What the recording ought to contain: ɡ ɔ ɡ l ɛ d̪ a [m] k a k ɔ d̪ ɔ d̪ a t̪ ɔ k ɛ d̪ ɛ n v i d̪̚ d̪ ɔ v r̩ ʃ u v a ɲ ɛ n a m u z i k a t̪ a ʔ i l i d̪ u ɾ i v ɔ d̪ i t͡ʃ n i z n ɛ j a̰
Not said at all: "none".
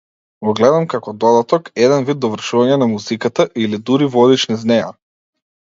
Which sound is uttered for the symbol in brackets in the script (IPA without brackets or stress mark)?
m